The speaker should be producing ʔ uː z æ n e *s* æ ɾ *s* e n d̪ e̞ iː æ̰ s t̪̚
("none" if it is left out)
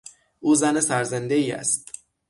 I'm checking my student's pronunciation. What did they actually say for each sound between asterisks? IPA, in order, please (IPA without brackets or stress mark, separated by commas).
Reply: s, z